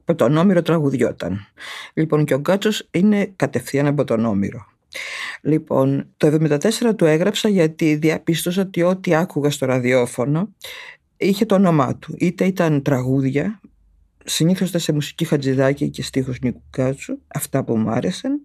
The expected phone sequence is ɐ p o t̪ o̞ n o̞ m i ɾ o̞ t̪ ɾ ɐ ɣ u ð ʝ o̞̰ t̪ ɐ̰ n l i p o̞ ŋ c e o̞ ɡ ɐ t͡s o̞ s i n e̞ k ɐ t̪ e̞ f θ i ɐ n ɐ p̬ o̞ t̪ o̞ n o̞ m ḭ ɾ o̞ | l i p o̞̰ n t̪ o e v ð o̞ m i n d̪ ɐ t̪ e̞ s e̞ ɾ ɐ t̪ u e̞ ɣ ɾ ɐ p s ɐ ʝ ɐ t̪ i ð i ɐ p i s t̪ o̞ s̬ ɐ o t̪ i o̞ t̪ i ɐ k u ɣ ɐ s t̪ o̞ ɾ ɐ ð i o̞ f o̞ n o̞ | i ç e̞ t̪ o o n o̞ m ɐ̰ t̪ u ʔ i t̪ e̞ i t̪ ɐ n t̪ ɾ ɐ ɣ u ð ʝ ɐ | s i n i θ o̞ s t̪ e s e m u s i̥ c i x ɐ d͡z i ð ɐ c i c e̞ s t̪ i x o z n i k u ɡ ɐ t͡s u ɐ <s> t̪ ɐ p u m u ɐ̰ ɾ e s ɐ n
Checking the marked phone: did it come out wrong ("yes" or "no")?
yes